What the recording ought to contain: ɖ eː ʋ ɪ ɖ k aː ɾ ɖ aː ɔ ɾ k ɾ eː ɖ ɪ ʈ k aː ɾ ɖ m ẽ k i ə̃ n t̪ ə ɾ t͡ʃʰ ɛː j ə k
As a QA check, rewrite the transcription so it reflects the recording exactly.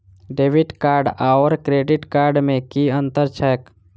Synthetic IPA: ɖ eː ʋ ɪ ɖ k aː ɾ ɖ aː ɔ ɾ k ɾ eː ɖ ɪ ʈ k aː ɾ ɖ m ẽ k i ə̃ n t̪ ə ɾ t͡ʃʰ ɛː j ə k

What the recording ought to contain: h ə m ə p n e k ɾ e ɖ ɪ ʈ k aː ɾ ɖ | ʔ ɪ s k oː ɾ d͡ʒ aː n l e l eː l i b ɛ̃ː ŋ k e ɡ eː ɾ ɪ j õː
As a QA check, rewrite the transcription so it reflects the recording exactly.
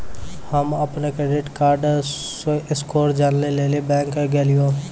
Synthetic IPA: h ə m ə p n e k ɾ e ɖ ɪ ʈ k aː ɾ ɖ | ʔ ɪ s k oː ɾ d͡ʒ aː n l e l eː l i b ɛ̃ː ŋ k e ɡ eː l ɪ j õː

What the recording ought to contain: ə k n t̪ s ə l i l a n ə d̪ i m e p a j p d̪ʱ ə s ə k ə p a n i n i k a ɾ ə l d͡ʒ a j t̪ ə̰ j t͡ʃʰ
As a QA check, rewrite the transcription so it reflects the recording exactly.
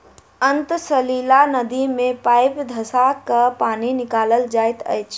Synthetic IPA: ə n t̪ s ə l i l a n ə d̪ i m e p a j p d̪ʱ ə s a k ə p a n i n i k a l ə l d͡ʒ a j t̪ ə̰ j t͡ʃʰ

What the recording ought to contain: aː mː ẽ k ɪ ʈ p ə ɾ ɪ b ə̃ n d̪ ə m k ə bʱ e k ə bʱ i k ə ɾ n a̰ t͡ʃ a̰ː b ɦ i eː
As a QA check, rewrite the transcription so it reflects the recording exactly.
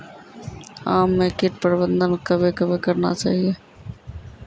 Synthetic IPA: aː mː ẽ k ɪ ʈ p ə ɾ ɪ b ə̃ n d̪ ə n k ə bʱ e k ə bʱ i k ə ɾ n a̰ t͡ʃ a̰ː ɦ i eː

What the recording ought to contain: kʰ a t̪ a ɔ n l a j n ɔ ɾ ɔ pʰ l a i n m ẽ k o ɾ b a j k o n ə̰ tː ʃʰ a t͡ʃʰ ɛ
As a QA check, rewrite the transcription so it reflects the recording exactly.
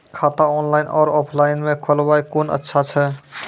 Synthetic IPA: kʰ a t̪ a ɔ n l a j n ɔ ɾ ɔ pʰ l a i n m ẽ kʰ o l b a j k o n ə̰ tː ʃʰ a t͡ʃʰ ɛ

